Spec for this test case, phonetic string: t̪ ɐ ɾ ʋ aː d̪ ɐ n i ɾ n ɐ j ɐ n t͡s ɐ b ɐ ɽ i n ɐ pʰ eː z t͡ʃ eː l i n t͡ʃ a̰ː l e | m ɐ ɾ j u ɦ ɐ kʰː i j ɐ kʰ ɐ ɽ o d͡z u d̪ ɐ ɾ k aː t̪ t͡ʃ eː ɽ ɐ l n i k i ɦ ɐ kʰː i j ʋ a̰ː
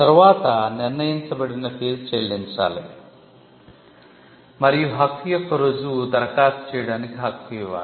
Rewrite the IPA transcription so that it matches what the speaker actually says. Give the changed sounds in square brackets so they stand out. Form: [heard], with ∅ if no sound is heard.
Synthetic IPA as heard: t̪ ɐ ɾ ʋ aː [t̪] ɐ n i ɾ n ɐ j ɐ n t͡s ɐ b ɐ ɽ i n ɐ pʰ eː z t͡ʃ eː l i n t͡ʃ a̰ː l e | m ɐ ɾ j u ɦ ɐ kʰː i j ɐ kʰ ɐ [ɾ] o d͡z u d̪ ɐ ɾ k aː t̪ t͡ʃ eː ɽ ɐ [∅] n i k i ɦ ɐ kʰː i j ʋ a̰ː